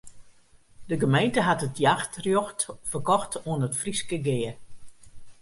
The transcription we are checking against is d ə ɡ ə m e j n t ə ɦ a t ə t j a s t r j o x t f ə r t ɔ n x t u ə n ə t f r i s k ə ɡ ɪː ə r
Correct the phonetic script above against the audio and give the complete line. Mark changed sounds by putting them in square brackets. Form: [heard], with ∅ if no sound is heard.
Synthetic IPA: d ə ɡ ə m e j n t ə ɦ a t ə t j a [x] t r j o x t f ə r [k] ɔ [∅] x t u ə n ə t f r i s k ə ɡ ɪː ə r

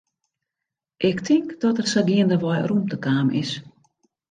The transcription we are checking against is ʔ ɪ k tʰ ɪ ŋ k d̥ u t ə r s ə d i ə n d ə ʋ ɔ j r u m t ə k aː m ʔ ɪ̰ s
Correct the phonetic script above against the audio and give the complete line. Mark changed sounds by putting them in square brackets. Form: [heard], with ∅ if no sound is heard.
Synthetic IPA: ʔ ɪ k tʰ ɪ ŋ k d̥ [ɔ] t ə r s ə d i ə n d ə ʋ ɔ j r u m t ə k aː m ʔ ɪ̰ s

